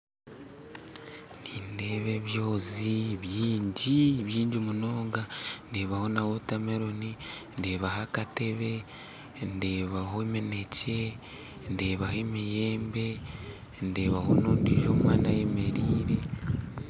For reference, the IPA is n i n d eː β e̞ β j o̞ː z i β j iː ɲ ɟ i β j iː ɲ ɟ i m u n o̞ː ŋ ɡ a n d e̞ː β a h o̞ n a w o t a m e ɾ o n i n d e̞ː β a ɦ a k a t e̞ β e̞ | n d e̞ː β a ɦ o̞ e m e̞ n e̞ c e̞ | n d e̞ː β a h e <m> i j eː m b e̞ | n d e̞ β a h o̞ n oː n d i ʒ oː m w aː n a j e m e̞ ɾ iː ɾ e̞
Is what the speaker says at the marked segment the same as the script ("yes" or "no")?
yes